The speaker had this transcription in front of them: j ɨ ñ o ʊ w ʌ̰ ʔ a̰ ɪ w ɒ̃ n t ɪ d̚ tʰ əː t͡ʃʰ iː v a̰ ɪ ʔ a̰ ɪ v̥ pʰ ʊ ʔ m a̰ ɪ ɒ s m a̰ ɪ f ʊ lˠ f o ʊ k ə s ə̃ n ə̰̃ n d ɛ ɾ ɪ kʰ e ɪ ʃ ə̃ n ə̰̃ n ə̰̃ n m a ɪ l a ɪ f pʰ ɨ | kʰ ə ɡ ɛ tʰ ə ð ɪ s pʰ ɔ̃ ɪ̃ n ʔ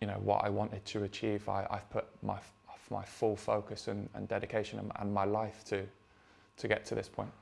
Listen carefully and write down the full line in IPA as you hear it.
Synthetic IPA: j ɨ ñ o ʊ w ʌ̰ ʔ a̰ ɪ w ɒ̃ n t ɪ d̚ tʰ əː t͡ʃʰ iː v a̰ ɪ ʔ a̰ ɪ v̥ pʰ ʊ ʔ m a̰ ɪ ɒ f m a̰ ɪ f ʊ lˠ f o ʊ k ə s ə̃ n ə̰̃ n d ɛ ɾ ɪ kʰ e ɪ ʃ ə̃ n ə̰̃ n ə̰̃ n m a ɪ l a ɪ f tʰ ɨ | tʰ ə ɡ ɛ tʰ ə ð ɪ s pʰ ɔ̃ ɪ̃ n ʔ